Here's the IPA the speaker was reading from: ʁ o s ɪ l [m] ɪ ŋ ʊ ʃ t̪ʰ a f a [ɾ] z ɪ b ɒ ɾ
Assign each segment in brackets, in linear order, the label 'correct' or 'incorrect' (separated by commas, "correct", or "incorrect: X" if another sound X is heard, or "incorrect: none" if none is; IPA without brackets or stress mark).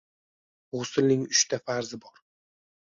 incorrect: n, correct